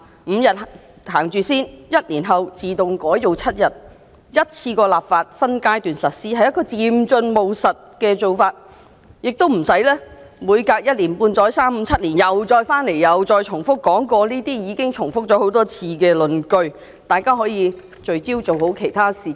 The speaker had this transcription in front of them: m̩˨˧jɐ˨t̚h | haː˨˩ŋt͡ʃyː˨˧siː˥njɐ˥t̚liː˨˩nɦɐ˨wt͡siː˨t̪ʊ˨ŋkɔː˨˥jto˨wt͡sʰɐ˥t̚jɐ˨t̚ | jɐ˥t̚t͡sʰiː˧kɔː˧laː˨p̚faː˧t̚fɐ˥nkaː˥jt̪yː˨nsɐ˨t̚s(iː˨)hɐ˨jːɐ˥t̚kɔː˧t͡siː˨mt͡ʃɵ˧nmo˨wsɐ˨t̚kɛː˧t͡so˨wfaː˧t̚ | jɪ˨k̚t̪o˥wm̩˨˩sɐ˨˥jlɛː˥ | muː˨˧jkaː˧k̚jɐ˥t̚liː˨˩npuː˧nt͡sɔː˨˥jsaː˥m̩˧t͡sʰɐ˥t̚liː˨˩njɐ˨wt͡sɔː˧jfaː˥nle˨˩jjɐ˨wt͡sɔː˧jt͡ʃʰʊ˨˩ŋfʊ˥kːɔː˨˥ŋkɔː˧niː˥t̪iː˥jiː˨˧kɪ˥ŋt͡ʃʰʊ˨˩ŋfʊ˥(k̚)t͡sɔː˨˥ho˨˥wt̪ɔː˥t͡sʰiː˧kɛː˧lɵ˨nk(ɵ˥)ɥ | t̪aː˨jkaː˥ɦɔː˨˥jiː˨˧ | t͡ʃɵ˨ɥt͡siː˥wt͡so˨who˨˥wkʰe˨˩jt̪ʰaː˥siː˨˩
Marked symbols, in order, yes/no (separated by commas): no, yes, no